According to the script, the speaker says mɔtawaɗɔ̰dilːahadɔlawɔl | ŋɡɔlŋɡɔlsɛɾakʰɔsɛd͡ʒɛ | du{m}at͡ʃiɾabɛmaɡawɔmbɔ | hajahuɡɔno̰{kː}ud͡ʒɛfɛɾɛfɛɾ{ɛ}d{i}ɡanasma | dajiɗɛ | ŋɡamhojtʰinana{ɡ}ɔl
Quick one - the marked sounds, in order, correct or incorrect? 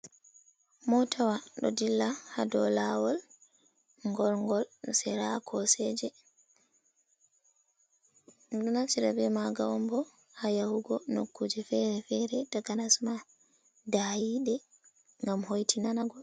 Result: incorrect, correct, correct, incorrect, correct

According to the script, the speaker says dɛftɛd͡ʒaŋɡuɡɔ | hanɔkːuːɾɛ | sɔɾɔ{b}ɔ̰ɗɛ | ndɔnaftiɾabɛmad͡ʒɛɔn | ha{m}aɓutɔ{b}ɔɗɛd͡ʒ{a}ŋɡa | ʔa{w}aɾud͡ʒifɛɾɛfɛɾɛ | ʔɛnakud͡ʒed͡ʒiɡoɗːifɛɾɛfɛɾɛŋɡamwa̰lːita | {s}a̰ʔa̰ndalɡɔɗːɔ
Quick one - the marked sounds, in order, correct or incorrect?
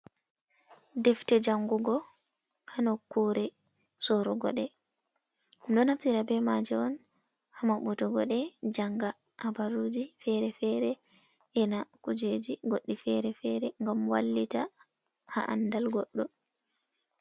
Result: incorrect, correct, incorrect, correct, incorrect, incorrect

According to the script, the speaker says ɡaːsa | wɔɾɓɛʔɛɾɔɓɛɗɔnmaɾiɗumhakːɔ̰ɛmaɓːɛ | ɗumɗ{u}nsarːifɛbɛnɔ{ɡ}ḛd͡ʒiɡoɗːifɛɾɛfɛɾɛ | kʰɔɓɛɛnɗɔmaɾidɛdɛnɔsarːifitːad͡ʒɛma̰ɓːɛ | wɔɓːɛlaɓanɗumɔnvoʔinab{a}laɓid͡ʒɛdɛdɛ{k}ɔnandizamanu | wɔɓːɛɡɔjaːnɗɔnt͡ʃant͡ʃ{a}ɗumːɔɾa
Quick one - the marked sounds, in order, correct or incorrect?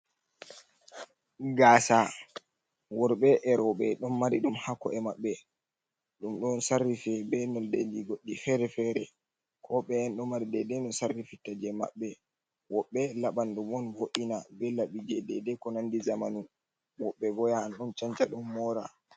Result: incorrect, incorrect, incorrect, correct, correct

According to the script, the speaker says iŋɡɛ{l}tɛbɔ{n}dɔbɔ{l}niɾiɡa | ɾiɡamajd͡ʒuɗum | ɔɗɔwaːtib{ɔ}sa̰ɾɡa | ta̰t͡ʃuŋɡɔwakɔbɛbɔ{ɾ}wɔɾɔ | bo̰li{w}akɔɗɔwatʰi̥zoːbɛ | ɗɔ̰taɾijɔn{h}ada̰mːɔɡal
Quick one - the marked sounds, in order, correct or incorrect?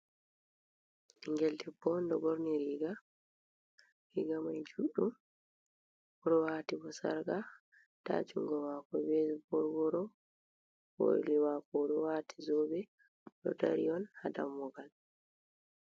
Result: correct, correct, incorrect, correct, correct, correct, correct

